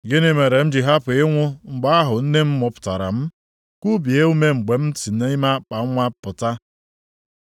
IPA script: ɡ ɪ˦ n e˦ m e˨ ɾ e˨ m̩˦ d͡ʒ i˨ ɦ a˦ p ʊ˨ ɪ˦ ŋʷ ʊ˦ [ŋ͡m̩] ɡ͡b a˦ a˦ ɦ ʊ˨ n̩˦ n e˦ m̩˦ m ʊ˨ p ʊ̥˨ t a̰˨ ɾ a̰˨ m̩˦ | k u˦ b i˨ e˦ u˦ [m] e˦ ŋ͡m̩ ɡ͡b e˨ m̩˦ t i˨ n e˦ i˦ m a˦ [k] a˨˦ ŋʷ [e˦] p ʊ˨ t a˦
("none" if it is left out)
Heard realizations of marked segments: ŋ͡m̩, m, k͡p, a˦

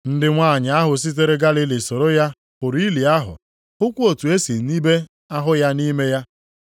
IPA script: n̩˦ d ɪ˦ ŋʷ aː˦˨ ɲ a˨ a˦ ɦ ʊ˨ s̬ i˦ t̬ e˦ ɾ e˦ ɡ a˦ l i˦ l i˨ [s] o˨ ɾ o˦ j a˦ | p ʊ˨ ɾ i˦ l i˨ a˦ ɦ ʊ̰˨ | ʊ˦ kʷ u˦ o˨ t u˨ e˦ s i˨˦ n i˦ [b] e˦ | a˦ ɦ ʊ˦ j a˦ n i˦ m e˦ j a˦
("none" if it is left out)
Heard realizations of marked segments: s, b

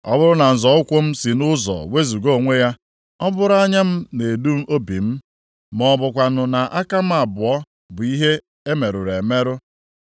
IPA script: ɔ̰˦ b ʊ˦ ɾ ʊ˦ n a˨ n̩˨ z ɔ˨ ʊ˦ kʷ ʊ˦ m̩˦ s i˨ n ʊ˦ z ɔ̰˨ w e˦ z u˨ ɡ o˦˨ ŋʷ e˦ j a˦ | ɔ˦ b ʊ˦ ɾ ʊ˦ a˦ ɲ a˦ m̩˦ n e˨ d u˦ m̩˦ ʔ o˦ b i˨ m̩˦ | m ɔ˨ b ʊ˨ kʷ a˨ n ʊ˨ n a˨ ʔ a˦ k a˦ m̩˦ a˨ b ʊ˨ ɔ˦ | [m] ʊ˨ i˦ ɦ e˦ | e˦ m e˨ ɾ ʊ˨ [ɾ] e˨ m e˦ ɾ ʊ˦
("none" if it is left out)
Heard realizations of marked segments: b, ɾ

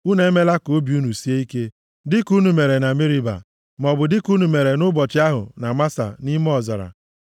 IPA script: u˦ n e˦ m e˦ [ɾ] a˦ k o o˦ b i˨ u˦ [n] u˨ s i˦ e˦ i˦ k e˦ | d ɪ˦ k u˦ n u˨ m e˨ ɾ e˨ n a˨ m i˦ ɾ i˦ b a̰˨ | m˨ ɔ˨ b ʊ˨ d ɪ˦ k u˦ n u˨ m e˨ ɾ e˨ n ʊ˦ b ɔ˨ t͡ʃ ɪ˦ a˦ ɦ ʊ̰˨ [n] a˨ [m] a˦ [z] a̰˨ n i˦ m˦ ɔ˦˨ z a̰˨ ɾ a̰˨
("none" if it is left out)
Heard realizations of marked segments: l, n, n, m, s

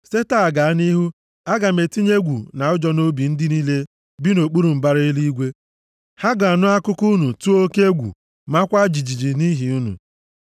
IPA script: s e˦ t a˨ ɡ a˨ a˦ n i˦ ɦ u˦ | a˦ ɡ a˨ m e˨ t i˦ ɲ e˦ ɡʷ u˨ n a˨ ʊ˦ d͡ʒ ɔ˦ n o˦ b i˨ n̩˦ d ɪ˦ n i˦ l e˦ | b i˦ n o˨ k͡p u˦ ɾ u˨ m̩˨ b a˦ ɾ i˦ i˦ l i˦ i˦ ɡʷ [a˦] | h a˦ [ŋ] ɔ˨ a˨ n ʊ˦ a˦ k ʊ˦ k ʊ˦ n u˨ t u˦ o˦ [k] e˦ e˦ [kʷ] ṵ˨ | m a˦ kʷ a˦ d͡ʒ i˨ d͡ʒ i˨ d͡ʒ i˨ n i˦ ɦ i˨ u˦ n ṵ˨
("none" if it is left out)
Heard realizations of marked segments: e˦, ɡ, k, ɡʷ

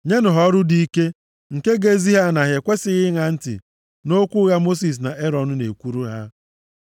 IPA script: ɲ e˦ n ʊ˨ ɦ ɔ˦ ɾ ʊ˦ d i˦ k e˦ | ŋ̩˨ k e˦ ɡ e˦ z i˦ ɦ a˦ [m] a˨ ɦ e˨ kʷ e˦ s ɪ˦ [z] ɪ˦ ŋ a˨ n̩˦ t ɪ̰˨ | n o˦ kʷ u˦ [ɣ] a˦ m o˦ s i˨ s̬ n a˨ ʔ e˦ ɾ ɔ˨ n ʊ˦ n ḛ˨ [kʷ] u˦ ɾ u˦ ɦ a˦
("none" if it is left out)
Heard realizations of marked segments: n, ɣ, ɣ, kʷ

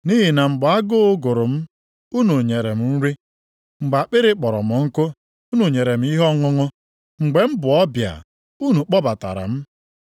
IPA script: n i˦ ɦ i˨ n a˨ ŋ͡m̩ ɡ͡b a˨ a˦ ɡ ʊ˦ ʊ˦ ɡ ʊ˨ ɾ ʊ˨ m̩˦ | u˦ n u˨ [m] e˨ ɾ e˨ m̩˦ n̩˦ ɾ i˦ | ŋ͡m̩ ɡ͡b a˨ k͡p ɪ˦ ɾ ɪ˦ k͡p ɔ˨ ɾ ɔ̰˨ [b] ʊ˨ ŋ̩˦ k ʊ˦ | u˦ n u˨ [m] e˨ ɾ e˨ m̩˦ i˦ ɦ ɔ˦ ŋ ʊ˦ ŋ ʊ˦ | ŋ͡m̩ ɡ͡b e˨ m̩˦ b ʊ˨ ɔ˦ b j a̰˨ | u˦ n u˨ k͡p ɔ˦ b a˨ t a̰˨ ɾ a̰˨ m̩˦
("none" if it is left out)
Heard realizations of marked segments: ɲ, m, ɲ

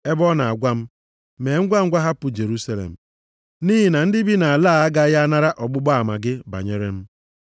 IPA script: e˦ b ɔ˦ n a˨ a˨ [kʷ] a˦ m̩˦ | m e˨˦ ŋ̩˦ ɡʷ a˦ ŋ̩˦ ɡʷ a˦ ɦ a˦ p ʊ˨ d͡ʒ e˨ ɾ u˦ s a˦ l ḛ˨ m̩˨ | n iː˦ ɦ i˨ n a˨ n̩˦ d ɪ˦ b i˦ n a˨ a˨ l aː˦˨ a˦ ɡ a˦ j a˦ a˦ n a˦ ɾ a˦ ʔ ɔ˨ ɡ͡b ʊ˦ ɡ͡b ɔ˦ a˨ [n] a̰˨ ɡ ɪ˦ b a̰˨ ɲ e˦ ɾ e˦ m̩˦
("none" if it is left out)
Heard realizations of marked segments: ɡʷ, m

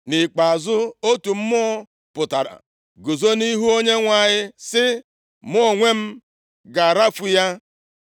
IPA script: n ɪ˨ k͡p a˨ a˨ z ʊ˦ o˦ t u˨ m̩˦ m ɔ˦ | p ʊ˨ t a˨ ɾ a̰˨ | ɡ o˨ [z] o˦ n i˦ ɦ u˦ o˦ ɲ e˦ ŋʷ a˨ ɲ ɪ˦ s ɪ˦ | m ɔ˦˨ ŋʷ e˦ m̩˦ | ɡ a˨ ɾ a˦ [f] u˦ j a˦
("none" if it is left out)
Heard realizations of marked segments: z, f

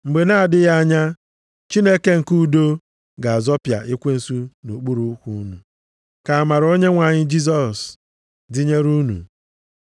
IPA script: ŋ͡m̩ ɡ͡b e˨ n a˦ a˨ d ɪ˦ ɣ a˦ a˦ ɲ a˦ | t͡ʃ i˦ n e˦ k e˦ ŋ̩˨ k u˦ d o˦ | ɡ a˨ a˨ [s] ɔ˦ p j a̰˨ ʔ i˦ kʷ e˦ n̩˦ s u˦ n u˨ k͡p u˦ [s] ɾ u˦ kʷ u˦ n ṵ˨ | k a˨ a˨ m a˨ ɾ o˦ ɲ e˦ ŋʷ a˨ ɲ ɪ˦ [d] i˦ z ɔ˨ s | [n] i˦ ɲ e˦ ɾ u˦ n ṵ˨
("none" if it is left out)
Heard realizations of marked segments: z, none, d͡ʒ, d

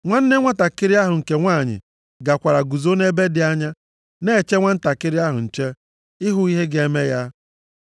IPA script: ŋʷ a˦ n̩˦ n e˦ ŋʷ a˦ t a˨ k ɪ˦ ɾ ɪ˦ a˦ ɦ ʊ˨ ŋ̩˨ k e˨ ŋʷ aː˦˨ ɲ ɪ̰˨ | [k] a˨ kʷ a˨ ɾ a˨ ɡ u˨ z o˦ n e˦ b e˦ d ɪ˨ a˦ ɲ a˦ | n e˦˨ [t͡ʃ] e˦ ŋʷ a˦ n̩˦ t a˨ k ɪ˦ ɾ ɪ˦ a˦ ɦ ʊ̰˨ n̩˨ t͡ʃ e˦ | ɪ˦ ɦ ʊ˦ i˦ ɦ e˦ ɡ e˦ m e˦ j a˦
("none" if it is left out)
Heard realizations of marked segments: ɡ, t͡ʃ

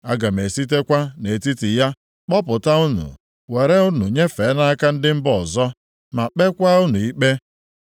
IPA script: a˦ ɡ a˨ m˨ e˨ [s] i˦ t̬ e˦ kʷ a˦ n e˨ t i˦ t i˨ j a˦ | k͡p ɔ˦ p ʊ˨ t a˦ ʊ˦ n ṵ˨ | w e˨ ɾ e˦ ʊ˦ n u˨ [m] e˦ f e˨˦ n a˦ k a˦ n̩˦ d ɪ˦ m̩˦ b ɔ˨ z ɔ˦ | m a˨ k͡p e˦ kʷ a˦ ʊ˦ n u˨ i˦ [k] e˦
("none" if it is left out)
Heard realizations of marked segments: s, ɲ, k͡p

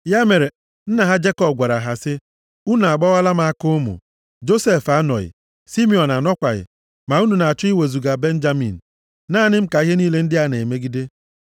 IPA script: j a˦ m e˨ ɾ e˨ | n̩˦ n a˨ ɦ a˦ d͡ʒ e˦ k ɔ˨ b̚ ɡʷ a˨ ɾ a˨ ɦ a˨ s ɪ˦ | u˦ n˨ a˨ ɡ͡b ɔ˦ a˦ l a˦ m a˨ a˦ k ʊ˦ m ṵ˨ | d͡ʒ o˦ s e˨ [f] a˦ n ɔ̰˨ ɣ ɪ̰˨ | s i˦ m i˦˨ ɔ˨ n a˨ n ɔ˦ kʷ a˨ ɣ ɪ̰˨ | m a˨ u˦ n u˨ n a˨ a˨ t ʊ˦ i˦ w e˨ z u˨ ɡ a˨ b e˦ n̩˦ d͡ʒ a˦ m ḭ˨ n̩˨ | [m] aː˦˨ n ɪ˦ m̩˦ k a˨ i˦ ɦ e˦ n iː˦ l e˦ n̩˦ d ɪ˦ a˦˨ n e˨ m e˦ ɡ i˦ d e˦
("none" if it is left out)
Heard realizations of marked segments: f, n

